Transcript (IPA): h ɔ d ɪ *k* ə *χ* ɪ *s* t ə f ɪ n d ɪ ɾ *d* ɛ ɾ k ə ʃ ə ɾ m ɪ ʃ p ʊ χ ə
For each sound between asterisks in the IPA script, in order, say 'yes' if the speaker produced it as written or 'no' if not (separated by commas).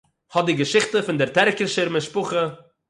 no, no, no, no